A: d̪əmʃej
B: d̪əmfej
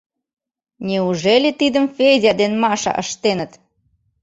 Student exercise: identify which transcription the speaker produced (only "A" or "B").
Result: B